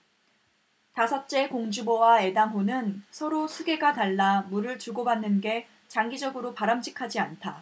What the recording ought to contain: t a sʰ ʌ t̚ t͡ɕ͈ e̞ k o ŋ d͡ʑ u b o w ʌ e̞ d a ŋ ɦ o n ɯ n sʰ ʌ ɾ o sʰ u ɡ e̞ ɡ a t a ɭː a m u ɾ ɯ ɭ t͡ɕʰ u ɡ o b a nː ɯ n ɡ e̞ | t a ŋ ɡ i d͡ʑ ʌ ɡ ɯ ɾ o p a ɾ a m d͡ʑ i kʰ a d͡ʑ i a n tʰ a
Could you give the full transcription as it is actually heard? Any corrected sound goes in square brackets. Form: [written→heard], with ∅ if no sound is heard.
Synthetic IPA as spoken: t a sʰ ʌ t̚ t͡ɕ͈ e̞ k o ŋ d͡ʑ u b o w [ʌ→a] e̞ d a ŋ ɦ o n ɯ n sʰ ʌ ɾ o sʰ u ɡ e̞ ɡ a t a ɭː a m u ɾ ɯ ɭ [t͡ɕʰ→t͡ɕ] u ɡ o b a nː ɯ n ɡ e̞ | [t→t͡ɕ] a ŋ ɡ i d͡ʑ ʌ ɡ ɯ ɾ o p a ɾ a m d͡ʑ i kʰ a d͡ʑ i a n tʰ a